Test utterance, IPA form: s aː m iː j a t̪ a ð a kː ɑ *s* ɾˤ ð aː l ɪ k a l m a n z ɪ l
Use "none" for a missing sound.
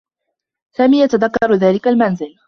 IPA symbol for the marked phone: none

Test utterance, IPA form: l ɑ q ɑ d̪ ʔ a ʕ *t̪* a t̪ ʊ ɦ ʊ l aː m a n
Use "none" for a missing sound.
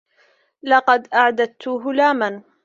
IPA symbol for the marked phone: d̪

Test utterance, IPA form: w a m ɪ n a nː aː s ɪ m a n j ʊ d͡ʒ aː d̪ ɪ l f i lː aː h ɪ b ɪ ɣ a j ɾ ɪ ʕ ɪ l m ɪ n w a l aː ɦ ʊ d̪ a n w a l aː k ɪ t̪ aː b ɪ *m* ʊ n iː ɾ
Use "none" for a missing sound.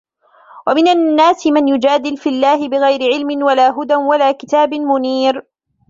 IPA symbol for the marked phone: m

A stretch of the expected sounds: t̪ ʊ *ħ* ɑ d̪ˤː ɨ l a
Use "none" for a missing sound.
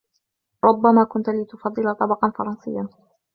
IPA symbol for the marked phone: f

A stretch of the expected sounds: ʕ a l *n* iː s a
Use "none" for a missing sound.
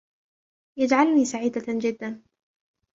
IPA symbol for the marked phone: n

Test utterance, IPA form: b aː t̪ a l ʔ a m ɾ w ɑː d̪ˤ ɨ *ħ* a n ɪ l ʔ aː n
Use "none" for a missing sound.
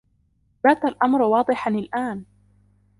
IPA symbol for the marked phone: ħ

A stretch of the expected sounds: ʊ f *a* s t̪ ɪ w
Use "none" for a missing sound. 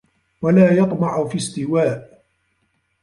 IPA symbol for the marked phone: i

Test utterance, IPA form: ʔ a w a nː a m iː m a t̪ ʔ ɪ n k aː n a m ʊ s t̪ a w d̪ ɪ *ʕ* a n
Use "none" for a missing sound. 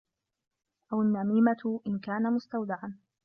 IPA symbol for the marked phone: ʕ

